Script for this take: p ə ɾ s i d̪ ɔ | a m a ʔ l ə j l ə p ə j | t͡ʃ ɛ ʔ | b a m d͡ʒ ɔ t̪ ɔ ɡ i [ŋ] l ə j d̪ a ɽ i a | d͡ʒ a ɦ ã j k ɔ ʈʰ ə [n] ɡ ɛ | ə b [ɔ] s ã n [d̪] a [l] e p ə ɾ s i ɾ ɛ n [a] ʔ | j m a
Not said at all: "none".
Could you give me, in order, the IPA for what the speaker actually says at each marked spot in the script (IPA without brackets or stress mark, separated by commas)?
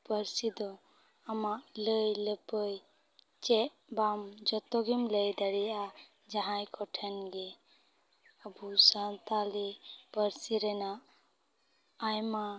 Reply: m, n, u, t̪, l, a